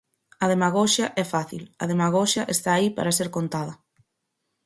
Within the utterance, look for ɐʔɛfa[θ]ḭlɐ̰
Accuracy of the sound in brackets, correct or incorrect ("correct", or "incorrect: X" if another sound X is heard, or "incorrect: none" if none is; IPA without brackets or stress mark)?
correct